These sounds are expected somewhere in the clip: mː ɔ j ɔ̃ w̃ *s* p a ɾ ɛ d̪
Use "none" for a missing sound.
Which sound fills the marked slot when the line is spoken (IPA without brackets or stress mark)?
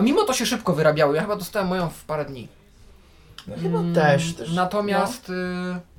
f